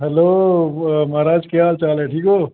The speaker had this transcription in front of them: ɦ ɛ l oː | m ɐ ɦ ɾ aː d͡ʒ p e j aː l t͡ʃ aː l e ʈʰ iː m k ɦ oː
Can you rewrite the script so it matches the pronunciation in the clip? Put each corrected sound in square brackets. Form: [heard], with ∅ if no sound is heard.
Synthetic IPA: ɦ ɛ l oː | m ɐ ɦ ɾ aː d͡ʒ [k] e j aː l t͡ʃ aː l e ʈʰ iː [∅] k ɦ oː